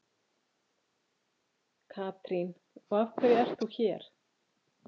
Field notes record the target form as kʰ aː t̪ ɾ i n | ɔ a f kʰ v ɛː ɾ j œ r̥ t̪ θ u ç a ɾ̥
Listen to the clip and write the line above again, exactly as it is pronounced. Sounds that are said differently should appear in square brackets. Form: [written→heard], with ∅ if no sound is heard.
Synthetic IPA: kʰ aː t̪ ɾ i n | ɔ a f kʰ v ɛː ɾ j [œ→ɛ] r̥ t̪ θ u ç [a→ɛ] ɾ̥